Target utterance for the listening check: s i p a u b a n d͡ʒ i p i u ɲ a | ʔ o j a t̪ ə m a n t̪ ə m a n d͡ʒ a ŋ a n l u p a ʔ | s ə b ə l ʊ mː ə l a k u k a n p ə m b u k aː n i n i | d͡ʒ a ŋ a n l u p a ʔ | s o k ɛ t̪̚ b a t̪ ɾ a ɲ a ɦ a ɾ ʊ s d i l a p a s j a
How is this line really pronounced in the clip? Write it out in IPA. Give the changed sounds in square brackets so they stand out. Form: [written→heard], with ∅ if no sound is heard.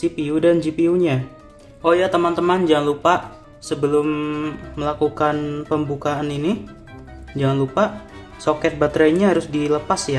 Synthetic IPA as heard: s i p [a→i] u [b→d] a n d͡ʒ i p i u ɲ a | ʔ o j a t̪ ə m a n t̪ ə m a n d͡ʒ a ŋ a n l u p a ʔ | s ə b ə l ʊ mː ə l a k u k a n p ə m b u k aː n i n i | d͡ʒ a ŋ a n l u p a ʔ | s o k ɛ t̪̚ b a t̪ ɾ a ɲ a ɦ a ɾ ʊ s d i l [a→ə] p a s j a